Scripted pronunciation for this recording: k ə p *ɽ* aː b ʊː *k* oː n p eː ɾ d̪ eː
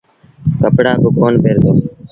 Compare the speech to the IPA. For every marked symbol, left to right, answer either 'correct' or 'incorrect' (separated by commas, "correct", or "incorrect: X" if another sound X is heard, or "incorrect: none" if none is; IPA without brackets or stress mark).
correct, correct